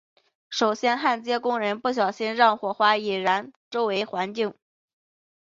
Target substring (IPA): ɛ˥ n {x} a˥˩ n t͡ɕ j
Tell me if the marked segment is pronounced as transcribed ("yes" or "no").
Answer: yes